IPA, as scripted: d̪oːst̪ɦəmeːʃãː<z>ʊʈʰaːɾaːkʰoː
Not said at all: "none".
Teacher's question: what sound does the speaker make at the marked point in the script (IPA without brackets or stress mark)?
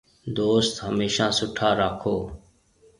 s